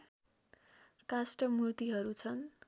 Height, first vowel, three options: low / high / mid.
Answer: low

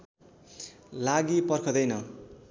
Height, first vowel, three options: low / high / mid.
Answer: low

